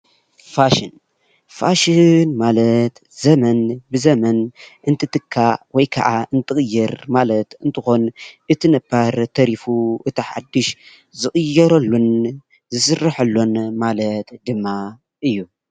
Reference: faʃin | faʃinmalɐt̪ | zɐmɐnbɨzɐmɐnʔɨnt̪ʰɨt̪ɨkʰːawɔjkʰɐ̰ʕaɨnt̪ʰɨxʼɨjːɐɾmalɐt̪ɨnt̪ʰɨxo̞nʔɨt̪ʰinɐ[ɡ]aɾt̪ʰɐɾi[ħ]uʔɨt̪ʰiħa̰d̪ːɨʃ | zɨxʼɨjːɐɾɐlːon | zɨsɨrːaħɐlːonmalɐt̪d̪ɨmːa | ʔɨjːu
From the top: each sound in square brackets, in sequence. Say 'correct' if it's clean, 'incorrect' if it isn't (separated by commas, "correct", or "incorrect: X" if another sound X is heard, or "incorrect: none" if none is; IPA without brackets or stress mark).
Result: incorrect: b, incorrect: f